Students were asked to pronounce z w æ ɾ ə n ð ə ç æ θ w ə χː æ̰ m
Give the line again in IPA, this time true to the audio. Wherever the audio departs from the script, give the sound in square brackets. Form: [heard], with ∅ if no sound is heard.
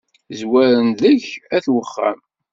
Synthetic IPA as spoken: z w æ ɾ ə n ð ə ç æ θ w ə χː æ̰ m